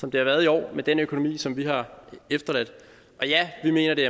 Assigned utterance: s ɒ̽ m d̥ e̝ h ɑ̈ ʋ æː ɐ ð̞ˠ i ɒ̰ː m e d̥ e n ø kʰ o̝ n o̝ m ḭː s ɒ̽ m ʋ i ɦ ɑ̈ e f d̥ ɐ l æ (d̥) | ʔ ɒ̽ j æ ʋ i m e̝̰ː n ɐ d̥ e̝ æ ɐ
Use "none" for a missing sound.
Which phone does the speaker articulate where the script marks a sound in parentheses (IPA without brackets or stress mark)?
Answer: d̥